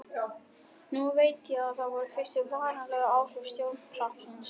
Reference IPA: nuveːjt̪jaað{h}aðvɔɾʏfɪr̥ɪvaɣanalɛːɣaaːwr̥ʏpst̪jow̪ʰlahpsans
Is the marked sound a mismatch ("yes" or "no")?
yes